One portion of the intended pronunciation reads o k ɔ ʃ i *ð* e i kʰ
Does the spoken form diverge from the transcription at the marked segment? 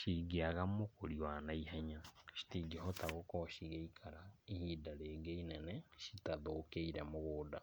yes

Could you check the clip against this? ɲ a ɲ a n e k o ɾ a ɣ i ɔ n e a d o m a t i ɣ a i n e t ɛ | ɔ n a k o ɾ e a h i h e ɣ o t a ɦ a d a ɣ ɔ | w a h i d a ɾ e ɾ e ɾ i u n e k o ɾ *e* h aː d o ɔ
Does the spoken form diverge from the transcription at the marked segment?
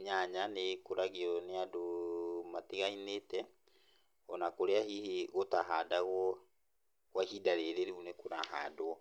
yes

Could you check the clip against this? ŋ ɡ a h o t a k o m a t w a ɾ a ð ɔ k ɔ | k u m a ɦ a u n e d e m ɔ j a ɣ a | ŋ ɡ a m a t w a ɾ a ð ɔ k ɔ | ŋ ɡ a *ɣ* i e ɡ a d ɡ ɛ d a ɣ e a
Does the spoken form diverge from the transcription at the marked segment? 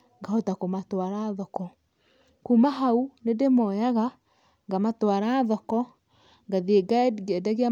yes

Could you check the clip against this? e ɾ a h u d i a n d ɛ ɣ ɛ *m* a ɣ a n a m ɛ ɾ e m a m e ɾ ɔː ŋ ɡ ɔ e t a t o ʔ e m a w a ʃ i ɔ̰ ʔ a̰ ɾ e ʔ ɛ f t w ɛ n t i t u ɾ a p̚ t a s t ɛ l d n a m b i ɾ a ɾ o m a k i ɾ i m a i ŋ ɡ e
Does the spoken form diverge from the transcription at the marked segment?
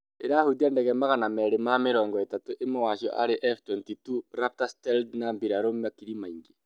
no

